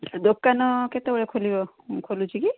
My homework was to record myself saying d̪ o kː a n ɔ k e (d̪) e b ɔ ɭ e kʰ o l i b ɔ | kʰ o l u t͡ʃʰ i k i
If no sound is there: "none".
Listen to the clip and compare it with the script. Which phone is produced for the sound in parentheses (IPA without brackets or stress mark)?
t̪